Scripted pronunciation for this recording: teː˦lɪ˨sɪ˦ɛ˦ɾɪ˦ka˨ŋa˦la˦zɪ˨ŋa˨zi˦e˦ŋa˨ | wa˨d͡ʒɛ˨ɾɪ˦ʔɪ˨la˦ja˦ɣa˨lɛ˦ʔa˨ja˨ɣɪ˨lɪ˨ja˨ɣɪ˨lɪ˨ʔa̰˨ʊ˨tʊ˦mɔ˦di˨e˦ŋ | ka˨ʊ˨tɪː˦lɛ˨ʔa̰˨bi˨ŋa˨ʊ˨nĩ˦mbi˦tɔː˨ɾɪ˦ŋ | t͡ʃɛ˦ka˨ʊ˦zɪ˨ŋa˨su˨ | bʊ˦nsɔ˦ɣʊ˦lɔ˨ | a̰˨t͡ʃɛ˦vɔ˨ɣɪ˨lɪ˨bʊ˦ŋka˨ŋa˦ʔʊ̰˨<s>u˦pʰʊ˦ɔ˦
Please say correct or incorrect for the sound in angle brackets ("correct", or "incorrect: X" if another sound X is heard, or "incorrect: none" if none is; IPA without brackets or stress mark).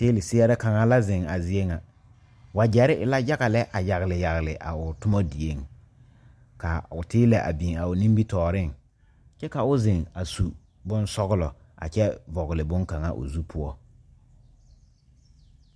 incorrect: z